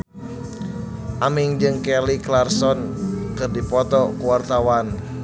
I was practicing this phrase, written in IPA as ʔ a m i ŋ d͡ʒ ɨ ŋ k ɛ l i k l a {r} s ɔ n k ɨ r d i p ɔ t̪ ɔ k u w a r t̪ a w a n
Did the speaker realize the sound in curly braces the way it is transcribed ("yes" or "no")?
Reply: yes